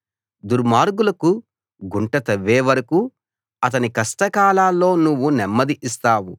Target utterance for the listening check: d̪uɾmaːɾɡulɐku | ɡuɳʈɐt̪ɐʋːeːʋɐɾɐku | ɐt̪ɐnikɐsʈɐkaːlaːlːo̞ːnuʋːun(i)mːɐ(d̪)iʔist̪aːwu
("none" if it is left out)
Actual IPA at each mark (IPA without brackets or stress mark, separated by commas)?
ɛ, d̪